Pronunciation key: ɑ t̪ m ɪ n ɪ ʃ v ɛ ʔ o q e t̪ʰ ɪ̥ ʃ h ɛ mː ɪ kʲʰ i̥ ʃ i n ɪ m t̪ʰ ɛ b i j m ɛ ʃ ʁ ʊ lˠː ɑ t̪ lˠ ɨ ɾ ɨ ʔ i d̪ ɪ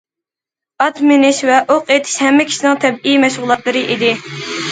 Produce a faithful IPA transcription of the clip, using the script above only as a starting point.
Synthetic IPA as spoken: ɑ t̪ m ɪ n ɪ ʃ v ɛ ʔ o q e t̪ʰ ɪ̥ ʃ h ɛ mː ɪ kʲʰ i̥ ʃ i n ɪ ŋ t̪ʰ ɛ b i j m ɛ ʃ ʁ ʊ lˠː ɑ t̪ lˠ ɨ ɾ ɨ ʔ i d̪ ɪ